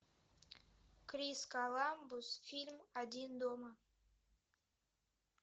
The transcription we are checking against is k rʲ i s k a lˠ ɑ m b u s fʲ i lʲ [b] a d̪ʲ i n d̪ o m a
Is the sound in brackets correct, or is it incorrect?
incorrect: m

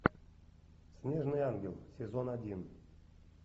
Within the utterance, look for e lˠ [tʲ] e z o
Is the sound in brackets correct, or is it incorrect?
incorrect: sʲ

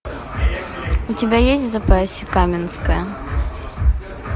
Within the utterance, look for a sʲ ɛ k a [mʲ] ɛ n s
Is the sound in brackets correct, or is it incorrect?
correct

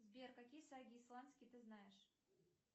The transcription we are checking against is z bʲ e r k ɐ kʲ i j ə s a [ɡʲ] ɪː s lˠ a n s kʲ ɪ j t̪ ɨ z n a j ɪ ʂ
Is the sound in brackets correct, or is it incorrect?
correct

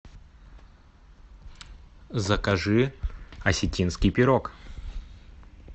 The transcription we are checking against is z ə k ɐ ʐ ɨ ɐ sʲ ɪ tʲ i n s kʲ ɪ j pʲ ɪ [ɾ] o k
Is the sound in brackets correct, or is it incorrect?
correct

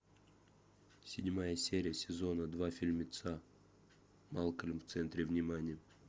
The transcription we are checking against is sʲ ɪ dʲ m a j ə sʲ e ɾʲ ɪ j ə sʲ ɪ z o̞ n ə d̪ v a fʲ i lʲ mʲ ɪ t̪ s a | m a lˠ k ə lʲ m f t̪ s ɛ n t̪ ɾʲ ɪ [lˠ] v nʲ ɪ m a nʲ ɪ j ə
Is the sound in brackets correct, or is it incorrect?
incorrect: none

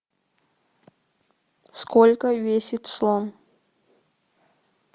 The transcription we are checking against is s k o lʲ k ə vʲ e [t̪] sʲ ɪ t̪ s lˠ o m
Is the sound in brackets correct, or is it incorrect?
incorrect: none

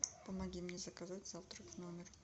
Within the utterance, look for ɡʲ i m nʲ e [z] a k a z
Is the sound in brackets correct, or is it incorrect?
correct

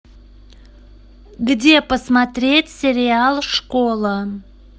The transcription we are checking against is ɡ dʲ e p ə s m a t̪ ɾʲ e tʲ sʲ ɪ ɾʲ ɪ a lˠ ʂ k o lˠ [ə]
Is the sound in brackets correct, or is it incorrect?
correct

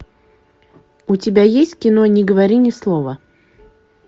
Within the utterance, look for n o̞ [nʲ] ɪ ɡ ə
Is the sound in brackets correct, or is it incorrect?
correct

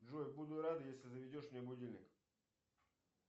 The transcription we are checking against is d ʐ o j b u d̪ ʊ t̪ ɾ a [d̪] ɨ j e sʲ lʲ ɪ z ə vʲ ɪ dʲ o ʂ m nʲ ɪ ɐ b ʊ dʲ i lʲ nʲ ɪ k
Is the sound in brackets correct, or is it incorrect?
correct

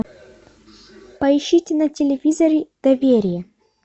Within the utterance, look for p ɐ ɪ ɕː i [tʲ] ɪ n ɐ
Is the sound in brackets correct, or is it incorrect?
correct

